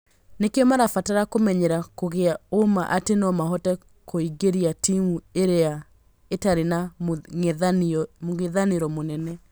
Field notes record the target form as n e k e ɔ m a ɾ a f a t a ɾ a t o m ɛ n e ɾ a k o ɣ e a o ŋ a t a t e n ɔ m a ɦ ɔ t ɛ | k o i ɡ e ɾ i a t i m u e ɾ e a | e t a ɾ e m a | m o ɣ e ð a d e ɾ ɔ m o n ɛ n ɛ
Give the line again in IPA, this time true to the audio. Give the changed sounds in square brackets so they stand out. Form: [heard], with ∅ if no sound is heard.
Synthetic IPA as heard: n e k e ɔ m a ɾ a f a t a ɾ a [k] o m ɛ [ɲ] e ɾ a k o ɣ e a o [m] a [ʔ] a t e n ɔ m a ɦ ɔ t ɛ | k o i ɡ e ɾ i a t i m u e ɾ e a | e t a ɾ e [n] a | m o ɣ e ð a [n] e ɾ ɔ m o n ɛ n ɛ